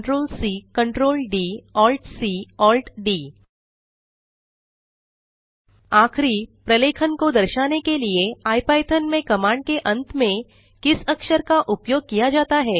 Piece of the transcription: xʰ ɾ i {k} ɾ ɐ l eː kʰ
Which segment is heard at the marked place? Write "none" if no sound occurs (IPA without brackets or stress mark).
p